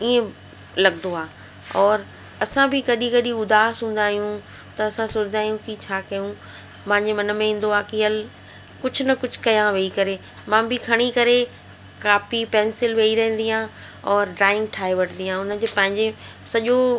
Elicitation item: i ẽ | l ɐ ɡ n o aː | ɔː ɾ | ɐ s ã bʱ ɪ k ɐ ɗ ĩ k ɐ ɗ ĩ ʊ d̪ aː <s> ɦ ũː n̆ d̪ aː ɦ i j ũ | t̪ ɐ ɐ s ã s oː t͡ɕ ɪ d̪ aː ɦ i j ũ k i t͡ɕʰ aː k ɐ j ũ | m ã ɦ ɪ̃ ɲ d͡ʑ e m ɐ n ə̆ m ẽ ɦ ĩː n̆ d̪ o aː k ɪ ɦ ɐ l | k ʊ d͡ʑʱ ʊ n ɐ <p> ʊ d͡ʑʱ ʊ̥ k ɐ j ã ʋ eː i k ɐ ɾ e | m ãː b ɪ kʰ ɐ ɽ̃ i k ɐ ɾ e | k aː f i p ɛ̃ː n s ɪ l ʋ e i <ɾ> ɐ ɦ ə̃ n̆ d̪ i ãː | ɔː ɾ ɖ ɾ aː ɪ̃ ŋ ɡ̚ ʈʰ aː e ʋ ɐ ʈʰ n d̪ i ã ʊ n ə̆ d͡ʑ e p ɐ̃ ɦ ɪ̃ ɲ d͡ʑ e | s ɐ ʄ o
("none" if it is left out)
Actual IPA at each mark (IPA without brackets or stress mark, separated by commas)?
s, k, ɾ